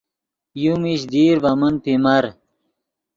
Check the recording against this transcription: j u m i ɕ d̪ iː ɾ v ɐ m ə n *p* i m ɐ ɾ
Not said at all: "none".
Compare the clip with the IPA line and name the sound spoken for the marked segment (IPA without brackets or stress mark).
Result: p